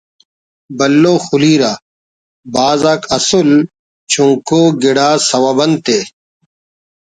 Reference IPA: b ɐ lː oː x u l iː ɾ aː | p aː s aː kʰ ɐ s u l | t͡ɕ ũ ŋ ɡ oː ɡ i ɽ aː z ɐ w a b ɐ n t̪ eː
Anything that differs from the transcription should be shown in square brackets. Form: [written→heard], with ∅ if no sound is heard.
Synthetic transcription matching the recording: b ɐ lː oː x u l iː ɾ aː | [p→b] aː [s→z] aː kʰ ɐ s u l | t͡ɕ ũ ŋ [ɡ→k] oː ɡ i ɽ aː [z→s] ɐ w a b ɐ n t̪ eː